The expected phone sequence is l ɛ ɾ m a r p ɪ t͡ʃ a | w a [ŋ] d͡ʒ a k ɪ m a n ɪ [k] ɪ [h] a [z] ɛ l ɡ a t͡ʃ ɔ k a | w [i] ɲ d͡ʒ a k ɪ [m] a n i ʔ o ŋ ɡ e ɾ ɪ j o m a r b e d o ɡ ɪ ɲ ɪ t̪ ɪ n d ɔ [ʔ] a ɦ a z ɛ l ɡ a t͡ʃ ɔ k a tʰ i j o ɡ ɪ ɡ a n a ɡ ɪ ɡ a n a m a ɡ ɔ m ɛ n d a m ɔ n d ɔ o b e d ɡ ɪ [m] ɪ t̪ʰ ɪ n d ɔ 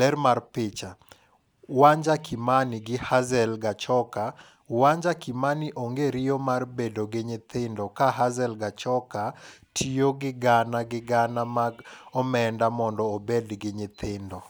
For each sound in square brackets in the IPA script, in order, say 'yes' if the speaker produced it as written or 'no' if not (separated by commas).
no, no, yes, yes, no, yes, no, no